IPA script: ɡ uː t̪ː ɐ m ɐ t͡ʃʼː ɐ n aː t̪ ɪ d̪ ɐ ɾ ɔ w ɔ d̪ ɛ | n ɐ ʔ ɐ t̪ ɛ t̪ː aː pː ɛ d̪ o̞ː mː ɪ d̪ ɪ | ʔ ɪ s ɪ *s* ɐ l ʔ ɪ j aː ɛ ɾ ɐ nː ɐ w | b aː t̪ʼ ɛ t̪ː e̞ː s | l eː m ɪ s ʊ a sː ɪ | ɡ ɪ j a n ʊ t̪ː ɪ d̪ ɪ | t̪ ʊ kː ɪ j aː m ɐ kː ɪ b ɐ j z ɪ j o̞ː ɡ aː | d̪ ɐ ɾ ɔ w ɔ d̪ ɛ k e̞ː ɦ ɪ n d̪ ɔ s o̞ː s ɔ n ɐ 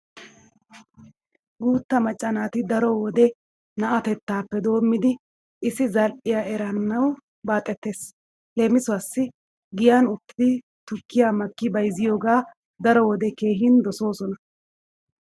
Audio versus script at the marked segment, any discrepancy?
yes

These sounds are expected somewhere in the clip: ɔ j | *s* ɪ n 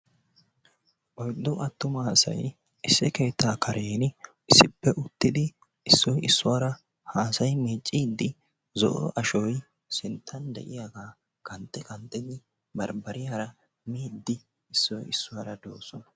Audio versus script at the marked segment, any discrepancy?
no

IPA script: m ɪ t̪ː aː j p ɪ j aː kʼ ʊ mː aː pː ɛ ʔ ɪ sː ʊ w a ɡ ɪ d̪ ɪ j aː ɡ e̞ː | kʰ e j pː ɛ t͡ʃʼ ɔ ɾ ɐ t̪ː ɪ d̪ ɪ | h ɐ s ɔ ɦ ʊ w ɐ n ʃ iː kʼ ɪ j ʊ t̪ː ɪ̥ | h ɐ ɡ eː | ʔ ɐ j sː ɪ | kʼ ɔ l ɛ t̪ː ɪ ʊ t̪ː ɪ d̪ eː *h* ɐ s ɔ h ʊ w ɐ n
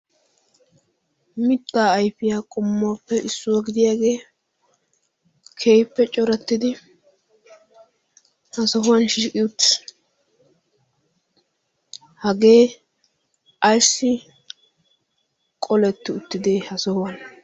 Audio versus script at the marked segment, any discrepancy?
no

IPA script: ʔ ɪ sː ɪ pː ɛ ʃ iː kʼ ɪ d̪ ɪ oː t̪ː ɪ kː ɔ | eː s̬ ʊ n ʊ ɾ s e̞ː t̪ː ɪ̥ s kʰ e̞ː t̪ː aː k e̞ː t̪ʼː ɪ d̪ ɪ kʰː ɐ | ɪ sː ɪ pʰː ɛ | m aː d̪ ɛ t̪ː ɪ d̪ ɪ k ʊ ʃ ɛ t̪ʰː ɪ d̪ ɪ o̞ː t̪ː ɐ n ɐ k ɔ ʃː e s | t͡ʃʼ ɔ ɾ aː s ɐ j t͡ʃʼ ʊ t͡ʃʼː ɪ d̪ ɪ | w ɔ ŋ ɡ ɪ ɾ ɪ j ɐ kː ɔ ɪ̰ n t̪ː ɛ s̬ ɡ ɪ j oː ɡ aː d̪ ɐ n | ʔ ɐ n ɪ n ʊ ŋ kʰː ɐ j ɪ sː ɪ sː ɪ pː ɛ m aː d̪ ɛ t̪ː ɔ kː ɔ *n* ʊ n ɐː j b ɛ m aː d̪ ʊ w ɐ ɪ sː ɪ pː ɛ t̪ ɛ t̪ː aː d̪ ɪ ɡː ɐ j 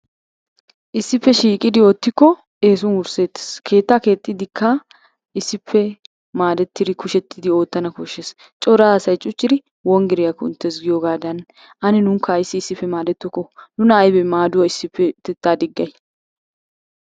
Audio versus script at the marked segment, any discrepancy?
no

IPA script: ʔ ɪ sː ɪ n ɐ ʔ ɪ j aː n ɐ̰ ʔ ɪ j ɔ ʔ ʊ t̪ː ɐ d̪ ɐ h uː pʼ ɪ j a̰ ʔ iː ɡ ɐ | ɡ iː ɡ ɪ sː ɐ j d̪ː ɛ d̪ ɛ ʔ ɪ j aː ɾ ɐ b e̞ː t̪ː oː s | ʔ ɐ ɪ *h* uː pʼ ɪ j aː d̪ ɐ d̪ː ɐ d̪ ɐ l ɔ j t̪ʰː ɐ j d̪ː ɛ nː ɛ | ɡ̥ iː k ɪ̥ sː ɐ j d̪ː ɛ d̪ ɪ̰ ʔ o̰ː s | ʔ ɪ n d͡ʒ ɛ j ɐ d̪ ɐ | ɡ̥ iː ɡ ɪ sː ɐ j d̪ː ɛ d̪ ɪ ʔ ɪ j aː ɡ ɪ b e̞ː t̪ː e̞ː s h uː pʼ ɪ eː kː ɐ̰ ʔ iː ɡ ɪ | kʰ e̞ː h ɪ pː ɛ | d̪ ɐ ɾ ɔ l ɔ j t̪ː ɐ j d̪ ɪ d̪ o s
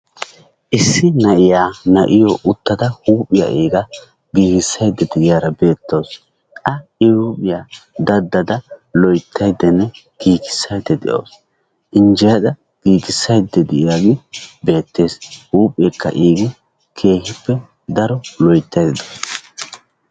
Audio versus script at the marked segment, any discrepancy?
no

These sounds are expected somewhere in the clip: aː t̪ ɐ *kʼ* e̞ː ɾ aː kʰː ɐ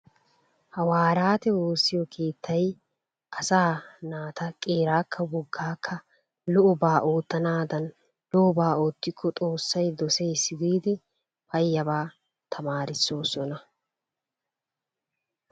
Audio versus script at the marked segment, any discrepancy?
no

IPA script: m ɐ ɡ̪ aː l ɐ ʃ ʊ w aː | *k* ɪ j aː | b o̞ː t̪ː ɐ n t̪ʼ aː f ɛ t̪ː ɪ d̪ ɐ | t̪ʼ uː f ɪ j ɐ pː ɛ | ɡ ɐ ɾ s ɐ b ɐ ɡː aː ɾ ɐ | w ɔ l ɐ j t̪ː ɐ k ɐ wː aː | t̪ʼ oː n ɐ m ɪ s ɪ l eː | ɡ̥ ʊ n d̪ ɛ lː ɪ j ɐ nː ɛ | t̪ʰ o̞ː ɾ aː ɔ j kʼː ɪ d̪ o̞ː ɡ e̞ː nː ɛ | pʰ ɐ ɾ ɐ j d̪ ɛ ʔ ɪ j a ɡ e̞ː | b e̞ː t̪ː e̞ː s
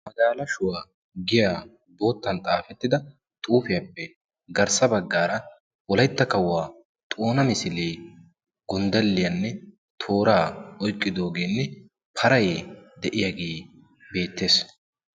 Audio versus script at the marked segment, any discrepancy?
yes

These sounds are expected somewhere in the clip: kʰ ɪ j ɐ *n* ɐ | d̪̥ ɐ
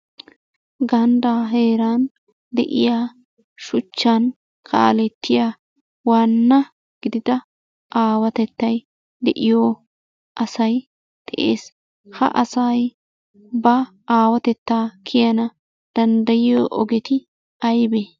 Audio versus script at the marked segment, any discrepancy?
no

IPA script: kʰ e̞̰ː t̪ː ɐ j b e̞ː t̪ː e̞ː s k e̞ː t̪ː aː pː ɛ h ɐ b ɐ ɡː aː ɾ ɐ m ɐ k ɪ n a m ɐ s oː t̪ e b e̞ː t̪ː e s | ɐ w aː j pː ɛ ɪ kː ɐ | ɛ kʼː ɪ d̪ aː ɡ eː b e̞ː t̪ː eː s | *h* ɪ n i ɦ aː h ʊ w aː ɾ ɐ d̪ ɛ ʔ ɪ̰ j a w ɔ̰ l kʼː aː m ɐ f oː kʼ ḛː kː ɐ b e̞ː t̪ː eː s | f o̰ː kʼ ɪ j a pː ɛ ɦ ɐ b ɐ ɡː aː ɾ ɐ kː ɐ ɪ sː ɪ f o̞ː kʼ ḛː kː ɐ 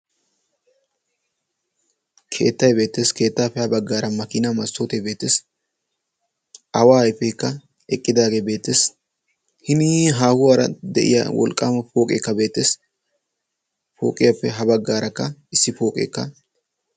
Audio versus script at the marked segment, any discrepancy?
no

